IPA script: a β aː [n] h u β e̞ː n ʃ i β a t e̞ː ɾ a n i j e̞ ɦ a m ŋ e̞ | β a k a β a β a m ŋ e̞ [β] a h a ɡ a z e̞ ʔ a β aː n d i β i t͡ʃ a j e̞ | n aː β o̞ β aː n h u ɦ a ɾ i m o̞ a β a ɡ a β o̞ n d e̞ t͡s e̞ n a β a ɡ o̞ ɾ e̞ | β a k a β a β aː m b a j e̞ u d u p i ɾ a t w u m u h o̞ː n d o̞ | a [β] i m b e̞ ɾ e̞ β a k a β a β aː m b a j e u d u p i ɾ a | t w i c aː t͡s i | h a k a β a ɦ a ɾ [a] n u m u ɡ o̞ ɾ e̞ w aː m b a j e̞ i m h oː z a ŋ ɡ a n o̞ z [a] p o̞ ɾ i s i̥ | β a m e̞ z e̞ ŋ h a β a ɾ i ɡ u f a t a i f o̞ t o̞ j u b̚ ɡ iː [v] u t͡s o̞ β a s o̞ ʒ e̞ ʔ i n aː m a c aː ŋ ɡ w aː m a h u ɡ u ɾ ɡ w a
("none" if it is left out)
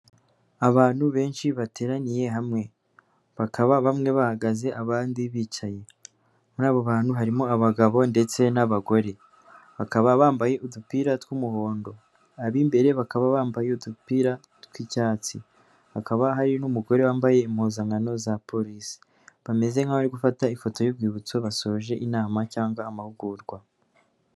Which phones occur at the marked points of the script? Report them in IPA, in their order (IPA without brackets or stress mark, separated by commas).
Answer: n, β, β, i, a, β